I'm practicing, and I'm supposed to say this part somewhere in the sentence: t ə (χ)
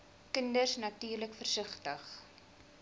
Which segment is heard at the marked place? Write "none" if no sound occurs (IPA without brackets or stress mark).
χ